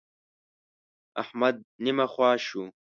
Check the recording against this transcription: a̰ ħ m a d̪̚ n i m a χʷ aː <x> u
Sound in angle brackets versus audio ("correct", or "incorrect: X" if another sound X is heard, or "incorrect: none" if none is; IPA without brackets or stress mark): incorrect: ʃ